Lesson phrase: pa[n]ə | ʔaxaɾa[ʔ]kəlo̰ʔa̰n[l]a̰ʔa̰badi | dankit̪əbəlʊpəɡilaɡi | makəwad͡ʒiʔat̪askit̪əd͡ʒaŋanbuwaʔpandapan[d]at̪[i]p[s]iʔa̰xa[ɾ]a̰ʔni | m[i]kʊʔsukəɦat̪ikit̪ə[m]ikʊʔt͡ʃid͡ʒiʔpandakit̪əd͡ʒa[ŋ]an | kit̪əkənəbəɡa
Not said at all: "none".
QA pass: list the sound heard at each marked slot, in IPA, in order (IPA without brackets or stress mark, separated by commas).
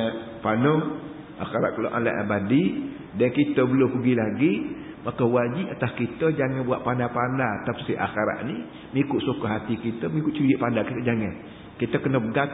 n, ʔ, l, d, a, s, ɾ, i, m, ŋ